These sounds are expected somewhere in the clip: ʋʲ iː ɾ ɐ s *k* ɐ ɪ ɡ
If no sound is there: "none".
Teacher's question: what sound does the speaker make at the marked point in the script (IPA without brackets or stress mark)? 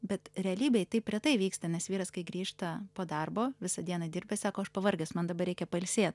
k